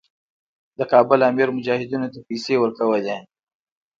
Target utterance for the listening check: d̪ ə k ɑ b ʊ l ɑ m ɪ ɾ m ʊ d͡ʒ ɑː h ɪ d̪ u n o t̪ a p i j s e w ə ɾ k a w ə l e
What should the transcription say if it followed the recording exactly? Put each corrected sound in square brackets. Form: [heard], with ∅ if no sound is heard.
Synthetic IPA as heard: d̪ ə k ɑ b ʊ l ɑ m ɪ ɾ m ʊ d͡ʒ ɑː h ɪ d̪ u n o t̪ a p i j s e w ə ɾ k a w ə l e